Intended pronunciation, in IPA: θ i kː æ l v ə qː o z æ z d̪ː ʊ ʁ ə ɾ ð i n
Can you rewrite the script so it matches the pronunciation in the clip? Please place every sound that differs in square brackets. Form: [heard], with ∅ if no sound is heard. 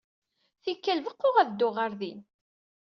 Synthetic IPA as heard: θ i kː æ l v ə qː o [ʁ] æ [ð] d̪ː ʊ ʁ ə ɾ ð i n